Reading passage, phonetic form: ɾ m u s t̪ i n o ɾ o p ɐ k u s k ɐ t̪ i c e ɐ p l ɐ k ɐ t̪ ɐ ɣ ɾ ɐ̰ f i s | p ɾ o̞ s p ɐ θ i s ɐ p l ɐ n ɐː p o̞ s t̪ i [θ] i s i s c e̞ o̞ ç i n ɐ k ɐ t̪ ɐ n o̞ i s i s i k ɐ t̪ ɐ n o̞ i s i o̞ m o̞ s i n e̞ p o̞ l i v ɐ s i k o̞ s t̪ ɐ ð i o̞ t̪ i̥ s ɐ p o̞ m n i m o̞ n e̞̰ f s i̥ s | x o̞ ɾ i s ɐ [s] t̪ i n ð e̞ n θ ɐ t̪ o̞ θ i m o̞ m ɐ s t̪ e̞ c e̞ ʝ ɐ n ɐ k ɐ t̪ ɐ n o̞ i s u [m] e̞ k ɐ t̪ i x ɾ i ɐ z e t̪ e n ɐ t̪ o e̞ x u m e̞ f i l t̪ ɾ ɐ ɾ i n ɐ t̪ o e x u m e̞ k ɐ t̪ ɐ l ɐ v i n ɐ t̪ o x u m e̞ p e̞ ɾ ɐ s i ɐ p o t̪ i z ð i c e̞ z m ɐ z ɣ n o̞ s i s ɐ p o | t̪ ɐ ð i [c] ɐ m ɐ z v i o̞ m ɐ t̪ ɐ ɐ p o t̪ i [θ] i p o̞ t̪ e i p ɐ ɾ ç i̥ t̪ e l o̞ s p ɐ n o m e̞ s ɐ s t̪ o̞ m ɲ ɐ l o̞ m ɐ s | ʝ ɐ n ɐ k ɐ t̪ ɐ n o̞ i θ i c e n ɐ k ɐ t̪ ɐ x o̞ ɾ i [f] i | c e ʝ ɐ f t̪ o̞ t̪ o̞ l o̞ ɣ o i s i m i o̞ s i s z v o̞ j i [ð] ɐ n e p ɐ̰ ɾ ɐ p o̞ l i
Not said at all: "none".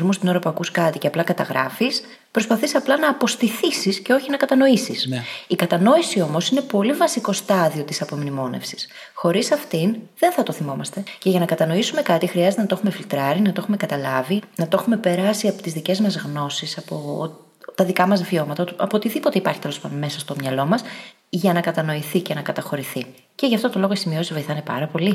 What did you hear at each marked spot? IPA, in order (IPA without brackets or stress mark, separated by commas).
θ, f, m, k, ð, θ, θ